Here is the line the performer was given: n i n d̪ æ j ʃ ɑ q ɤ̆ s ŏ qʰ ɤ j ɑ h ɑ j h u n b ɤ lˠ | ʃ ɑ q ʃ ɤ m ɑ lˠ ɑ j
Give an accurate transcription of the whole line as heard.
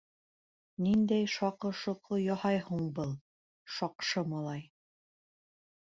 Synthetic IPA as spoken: n i n d̪ æ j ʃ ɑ q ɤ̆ ʃ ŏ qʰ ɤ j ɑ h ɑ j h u ɴ b ɤ lˠ | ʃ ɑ q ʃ ɤ m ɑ lˠ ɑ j